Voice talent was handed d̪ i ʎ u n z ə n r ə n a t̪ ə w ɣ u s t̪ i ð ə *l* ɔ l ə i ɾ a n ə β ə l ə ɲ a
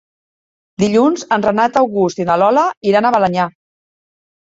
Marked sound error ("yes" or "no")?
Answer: no